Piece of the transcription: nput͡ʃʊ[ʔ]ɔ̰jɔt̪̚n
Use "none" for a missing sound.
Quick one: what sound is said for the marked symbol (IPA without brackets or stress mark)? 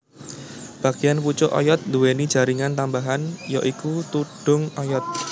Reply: ʔ